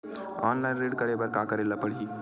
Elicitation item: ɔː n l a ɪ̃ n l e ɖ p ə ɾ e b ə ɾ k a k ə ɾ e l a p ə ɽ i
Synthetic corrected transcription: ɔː n l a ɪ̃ n ɾ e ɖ k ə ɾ e b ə ɾ k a k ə ɾ e l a p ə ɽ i